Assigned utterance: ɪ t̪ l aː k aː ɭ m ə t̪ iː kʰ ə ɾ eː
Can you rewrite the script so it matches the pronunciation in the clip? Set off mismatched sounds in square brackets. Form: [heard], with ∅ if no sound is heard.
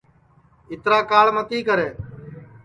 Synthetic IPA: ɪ t̪ [ɾ] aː k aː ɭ m ə t̪ iː [k] ə ɾ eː